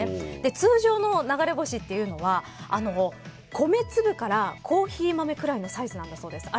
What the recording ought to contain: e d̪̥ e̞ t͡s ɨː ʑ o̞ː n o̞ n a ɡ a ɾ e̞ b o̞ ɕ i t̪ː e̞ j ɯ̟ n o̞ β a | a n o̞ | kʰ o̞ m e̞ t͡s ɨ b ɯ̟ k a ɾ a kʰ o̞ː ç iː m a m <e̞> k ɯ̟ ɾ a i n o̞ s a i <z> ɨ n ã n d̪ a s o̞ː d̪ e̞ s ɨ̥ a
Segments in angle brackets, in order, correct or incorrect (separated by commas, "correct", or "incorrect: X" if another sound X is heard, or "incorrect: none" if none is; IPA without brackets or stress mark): correct, correct